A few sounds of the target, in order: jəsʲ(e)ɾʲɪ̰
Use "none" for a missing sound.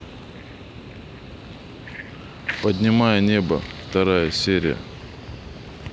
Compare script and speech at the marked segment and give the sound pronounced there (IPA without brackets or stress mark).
e